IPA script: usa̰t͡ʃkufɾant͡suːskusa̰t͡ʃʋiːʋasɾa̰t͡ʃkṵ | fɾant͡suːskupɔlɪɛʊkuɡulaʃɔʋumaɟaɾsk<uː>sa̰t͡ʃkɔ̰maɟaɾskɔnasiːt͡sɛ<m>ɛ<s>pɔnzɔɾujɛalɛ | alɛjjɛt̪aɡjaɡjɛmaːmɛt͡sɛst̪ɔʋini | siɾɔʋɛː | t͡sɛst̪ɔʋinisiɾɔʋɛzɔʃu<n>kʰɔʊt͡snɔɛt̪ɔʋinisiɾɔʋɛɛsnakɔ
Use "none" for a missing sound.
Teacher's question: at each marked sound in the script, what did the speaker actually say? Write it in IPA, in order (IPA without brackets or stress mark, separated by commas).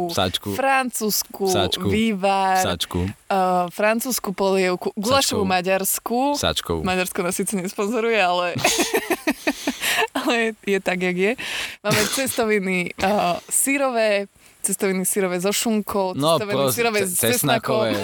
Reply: u, ɲ, s, ŋ